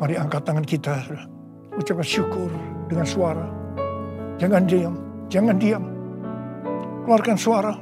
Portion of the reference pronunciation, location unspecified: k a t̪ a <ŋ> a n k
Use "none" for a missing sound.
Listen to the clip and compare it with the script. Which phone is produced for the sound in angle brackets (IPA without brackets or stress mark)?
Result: ŋ